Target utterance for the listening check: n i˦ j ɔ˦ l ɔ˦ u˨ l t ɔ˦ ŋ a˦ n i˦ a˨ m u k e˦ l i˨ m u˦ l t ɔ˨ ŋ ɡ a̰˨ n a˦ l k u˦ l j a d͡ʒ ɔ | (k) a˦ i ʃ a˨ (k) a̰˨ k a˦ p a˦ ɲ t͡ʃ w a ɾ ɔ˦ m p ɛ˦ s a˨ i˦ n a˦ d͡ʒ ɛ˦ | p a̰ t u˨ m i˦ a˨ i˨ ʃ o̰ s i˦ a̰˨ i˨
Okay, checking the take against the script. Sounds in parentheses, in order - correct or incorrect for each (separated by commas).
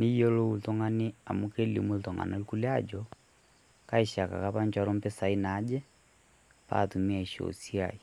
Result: correct, correct